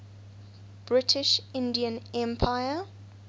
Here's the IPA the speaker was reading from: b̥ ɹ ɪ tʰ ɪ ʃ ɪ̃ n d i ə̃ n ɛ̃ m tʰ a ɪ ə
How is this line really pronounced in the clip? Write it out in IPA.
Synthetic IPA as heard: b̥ ɹ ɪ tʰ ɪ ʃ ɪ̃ n d i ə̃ n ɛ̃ m pʰ a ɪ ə